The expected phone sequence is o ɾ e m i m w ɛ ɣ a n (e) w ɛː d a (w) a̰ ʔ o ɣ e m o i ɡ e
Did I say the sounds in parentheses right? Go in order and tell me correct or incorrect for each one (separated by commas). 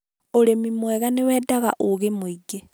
correct, incorrect